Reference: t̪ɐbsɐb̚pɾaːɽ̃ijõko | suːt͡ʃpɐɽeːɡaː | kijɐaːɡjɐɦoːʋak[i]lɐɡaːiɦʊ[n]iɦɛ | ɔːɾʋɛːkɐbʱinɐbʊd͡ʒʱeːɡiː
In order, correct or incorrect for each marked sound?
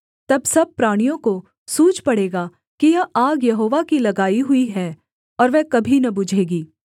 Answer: correct, incorrect

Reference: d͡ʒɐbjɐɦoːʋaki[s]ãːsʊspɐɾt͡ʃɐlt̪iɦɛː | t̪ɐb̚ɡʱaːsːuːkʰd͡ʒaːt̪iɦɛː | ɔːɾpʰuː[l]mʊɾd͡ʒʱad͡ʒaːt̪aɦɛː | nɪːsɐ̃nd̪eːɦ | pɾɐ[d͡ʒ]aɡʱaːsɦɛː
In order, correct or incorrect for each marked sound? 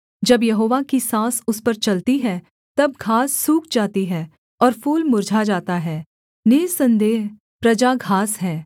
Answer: correct, correct, correct

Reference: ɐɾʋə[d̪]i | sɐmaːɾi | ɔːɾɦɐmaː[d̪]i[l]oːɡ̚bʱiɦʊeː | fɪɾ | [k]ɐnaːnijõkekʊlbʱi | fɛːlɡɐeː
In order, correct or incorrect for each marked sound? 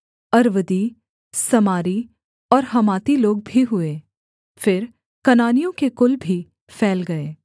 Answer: correct, incorrect, correct, correct

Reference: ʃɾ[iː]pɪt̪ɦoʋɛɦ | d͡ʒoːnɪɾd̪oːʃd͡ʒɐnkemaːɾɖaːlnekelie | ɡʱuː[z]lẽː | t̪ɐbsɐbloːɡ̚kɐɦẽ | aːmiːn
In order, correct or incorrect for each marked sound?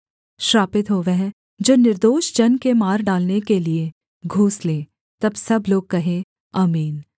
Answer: incorrect, incorrect

